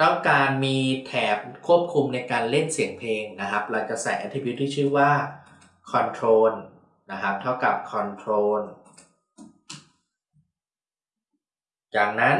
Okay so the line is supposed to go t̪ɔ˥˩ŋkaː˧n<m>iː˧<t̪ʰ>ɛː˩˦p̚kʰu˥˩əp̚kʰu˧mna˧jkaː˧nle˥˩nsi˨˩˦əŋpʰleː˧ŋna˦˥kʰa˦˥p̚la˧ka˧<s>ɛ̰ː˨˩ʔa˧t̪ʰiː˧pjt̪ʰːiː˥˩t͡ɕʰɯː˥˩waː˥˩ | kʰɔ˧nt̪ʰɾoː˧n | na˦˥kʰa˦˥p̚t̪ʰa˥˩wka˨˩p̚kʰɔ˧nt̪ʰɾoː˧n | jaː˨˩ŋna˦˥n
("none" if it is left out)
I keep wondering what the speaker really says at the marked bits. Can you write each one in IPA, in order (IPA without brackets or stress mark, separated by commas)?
m, t̪ʰ, s